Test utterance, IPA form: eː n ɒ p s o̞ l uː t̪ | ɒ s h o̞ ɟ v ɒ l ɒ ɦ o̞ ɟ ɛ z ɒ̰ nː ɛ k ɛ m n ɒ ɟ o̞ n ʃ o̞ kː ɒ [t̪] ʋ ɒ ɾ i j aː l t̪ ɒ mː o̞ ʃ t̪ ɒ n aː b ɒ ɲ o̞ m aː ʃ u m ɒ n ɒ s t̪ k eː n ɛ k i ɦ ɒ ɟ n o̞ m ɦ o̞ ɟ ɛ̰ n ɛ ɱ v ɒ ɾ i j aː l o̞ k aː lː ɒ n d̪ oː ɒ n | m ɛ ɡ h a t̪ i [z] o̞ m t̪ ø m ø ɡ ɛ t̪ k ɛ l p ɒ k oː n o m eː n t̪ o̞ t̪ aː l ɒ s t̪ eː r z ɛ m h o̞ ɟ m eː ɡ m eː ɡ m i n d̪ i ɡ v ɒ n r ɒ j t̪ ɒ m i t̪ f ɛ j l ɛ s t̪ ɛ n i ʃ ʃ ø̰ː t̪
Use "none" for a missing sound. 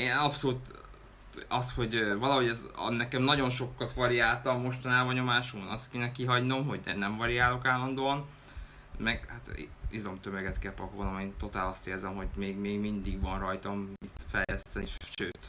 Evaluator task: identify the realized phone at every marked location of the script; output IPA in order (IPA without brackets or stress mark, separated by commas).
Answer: t̪, z